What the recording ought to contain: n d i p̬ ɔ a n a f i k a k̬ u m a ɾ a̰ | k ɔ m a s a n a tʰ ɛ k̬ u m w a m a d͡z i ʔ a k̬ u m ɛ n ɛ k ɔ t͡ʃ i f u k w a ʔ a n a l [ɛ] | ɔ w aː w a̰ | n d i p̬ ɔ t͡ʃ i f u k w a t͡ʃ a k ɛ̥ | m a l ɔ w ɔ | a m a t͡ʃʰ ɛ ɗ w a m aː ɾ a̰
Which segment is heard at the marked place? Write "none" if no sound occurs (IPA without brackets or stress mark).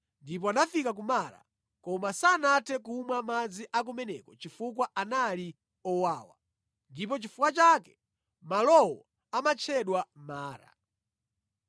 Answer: i